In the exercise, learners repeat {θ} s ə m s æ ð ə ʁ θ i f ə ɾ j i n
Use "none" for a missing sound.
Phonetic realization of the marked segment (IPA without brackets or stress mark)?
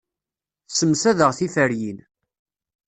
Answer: θ